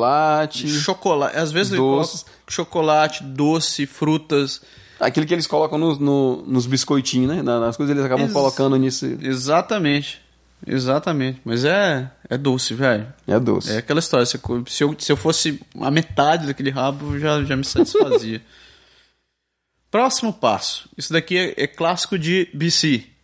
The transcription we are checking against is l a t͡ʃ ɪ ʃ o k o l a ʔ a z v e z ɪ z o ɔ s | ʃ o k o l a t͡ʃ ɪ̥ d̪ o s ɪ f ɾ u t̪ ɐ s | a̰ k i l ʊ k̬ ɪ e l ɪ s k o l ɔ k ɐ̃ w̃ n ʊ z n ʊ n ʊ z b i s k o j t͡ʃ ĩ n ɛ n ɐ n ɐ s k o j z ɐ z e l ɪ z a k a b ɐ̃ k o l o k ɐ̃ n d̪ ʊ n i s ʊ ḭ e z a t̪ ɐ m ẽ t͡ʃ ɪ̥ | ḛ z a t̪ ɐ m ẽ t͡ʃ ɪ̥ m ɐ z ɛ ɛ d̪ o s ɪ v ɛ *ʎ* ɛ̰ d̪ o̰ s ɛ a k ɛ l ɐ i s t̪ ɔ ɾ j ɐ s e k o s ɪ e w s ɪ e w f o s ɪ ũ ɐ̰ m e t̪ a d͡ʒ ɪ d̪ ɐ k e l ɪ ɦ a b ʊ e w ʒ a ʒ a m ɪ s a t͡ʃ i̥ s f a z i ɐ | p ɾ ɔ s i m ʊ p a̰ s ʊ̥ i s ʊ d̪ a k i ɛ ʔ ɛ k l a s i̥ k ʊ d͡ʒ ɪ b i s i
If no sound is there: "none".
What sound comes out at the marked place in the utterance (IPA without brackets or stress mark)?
j